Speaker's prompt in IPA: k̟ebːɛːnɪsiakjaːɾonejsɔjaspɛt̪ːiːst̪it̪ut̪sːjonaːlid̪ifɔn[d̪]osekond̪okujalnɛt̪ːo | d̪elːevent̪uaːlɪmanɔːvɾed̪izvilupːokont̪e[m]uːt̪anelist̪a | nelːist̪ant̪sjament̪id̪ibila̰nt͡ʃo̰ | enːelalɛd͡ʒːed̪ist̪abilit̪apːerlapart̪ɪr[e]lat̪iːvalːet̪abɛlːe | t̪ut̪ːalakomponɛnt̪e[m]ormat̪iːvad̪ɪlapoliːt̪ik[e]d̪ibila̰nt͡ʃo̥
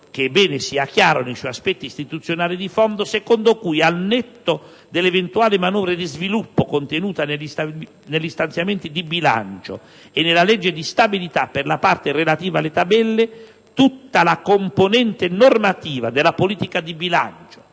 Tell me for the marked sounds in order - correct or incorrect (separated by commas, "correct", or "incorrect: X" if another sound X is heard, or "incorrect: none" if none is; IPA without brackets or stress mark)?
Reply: correct, incorrect: n, correct, incorrect: n, incorrect: a